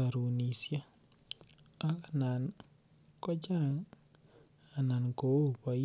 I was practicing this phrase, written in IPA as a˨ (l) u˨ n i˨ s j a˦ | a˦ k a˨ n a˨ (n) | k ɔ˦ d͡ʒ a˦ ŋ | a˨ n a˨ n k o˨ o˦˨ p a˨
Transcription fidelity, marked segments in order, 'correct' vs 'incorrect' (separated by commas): incorrect, correct